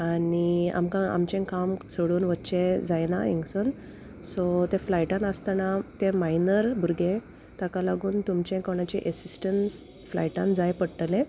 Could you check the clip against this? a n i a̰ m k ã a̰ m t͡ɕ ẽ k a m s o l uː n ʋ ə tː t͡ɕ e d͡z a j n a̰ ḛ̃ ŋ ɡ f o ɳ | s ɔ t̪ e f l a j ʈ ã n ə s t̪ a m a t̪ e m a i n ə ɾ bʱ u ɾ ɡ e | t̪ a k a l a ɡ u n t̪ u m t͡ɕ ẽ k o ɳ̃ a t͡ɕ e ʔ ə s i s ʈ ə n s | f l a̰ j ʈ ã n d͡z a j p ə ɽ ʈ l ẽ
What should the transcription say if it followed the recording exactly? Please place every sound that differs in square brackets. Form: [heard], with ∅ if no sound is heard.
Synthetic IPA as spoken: a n i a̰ m k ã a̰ m t͡ɕ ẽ k a m s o [ɽ] uː n ʋ ə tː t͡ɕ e d͡z a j n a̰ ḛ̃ ŋ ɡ [s] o [n] | s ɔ t̪ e f l a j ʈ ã n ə s t̪ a [n] a t̪ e m a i n ə ɾ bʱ u ɾ ɡ e | t̪ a k a l a ɡ [uː] n t̪ u m t͡ɕ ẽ k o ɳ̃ a t͡ɕ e ʔ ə s i s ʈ ə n s | f l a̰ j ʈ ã n d͡z a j p ə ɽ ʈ l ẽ